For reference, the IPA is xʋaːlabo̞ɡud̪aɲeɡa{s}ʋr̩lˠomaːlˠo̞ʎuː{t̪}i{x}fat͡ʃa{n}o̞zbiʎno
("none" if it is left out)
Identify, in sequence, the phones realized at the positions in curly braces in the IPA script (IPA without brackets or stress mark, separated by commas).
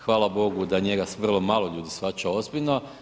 s, d̪, s, none